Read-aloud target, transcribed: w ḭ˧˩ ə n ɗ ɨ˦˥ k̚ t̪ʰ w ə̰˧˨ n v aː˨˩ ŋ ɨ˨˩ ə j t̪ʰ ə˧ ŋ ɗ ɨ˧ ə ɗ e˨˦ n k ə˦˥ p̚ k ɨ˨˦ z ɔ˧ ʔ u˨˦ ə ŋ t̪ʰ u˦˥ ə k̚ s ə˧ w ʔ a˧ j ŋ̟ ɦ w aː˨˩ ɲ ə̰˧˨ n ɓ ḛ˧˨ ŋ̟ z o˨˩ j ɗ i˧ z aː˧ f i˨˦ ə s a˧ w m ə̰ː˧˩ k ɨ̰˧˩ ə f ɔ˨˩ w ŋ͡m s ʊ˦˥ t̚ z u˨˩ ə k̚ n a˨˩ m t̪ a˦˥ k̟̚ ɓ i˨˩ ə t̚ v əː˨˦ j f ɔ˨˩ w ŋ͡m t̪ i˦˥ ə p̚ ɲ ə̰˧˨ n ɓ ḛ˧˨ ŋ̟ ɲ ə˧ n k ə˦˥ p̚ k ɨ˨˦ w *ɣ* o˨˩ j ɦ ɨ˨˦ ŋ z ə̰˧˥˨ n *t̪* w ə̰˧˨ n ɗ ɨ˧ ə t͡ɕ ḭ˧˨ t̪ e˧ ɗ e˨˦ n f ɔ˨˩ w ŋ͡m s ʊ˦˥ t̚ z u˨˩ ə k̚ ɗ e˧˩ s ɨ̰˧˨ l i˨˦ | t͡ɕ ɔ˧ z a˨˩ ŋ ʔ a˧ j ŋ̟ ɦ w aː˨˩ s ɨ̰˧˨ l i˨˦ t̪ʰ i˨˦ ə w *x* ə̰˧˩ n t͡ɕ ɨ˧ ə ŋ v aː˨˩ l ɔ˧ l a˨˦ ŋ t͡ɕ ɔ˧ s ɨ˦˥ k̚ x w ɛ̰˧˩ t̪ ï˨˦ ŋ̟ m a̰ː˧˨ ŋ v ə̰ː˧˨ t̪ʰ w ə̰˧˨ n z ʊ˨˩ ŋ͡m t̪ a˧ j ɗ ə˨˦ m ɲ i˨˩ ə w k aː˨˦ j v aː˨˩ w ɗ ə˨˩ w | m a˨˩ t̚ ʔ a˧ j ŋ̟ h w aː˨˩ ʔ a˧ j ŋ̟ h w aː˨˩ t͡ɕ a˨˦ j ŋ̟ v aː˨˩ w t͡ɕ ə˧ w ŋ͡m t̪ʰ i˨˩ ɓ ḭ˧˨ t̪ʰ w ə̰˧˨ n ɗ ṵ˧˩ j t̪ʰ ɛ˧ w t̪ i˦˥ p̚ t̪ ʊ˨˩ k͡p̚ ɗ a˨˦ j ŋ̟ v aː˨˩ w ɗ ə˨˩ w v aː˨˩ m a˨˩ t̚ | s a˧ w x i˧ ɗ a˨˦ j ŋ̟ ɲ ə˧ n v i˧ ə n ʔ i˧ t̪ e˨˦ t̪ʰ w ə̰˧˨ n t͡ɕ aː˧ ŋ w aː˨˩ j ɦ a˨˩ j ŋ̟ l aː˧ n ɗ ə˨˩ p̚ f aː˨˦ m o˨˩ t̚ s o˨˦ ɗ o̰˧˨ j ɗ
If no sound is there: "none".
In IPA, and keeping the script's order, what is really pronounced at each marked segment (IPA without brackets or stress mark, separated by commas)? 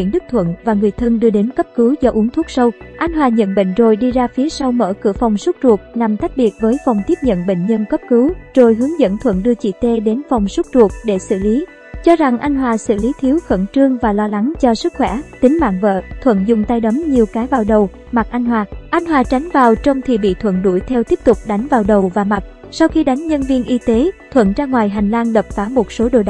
z, t̪ʰ, x